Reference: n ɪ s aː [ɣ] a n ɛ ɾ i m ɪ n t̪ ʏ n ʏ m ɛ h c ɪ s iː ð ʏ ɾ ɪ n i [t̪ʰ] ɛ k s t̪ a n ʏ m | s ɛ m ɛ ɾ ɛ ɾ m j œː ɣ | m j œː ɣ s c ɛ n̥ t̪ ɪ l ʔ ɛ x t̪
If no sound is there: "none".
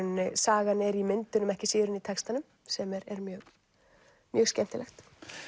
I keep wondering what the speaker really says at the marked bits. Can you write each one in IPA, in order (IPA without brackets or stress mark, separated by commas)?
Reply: ɣ, t̪ʰ